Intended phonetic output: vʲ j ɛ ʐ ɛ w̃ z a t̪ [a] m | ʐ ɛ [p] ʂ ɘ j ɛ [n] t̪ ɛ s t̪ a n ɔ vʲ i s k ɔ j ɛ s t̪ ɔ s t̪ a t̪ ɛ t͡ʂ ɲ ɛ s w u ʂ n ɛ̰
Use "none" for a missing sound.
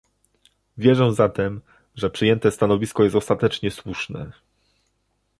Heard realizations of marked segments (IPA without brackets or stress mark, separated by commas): ɛ, p, n